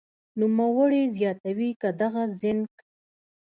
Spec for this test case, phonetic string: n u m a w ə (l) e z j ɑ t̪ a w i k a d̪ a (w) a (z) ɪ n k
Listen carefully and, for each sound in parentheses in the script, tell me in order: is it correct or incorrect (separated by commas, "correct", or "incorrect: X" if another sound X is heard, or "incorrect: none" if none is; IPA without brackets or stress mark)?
incorrect: ɽ, incorrect: ɣ, correct